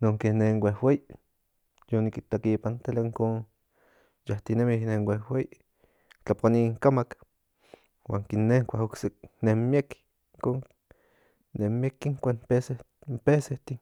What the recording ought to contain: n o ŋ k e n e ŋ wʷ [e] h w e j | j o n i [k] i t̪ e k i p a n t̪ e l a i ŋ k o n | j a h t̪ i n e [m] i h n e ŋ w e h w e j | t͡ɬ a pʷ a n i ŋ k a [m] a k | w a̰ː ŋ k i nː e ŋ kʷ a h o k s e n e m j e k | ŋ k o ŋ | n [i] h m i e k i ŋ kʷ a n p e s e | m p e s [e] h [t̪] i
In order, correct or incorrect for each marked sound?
correct, correct, correct, correct, incorrect, correct, correct

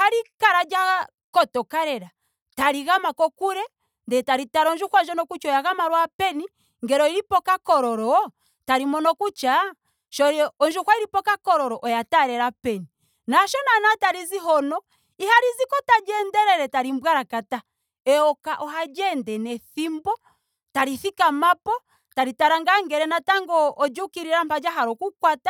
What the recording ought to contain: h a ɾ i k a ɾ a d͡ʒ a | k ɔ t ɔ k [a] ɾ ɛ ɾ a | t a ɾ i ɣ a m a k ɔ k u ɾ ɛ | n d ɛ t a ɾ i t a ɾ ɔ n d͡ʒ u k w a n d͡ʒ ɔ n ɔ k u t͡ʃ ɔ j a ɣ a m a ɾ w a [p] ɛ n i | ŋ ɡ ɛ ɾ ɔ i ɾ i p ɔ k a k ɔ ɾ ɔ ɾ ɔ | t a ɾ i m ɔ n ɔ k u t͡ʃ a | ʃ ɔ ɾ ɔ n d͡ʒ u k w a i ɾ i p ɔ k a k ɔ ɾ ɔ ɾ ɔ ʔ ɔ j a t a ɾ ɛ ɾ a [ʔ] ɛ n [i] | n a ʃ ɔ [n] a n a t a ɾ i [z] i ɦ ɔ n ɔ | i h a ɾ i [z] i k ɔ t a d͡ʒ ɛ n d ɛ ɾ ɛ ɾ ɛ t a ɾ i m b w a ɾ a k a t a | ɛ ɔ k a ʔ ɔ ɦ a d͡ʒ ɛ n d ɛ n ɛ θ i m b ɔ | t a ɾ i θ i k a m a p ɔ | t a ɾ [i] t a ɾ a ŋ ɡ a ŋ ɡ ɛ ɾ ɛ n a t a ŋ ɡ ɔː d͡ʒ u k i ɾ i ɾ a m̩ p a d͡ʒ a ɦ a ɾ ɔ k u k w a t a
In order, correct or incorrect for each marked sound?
correct, correct, incorrect, correct, correct, correct, correct, correct

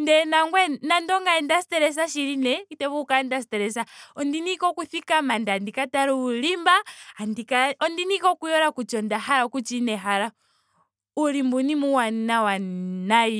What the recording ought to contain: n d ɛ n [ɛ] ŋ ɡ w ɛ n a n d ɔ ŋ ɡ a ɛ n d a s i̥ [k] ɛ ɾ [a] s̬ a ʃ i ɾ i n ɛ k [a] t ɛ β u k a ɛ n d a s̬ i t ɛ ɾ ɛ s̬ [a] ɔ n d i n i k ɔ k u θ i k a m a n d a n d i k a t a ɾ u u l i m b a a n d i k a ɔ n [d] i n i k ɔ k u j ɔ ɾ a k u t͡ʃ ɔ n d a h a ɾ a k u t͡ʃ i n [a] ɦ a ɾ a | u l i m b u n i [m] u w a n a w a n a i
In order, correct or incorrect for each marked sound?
incorrect, incorrect, incorrect, incorrect, correct, correct, incorrect, correct

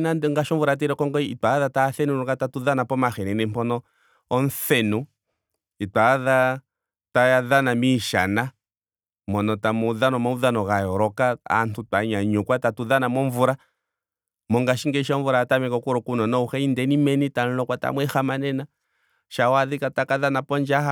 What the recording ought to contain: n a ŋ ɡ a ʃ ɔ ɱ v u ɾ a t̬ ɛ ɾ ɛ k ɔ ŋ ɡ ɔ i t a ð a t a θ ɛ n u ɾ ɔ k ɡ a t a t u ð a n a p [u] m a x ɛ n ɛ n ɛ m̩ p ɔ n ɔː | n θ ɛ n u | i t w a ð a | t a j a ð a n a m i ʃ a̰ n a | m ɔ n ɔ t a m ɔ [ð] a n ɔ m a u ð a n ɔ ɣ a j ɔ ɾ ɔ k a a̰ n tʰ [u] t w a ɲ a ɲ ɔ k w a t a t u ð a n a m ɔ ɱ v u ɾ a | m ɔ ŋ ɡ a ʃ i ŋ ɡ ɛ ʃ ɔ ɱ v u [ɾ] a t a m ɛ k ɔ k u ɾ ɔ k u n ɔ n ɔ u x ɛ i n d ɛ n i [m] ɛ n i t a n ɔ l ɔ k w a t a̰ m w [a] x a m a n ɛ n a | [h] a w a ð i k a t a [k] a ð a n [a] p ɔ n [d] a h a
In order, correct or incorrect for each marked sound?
incorrect, correct, correct, correct, correct, incorrect, incorrect, correct, correct, incorrect

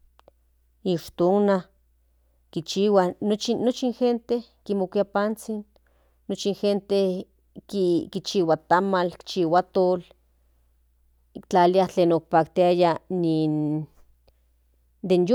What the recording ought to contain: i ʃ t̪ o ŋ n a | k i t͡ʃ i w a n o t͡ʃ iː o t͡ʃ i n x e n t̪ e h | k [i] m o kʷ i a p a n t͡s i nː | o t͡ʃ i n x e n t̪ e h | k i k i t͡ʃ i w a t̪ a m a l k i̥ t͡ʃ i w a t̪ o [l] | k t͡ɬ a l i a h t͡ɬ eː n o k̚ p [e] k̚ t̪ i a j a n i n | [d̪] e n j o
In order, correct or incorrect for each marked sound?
correct, correct, incorrect, correct

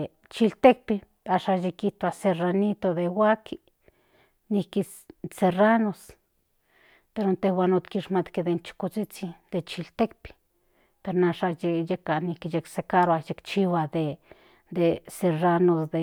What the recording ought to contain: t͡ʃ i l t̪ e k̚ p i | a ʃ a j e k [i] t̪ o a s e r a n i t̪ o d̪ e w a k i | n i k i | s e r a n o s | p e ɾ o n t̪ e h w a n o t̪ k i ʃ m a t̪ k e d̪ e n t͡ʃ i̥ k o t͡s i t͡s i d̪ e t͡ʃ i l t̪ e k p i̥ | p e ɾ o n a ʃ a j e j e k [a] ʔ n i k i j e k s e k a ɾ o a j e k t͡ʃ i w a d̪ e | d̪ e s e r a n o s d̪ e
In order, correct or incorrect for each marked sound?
correct, correct

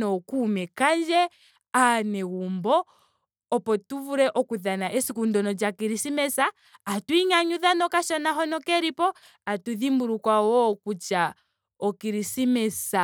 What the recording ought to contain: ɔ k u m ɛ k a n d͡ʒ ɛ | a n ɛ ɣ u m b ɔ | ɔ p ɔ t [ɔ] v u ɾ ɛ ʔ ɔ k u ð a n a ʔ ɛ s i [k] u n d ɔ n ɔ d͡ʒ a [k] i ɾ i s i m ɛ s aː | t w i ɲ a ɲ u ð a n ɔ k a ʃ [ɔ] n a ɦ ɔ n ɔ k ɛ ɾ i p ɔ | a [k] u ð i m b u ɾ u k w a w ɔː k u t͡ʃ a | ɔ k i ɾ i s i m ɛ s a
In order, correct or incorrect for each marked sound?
incorrect, correct, correct, correct, incorrect

